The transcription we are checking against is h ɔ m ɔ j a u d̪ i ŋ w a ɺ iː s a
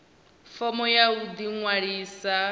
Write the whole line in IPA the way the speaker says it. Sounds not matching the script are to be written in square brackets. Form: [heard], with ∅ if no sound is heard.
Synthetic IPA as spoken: [f] ɔ m ɔ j a u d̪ i ŋ w a ɺ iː s a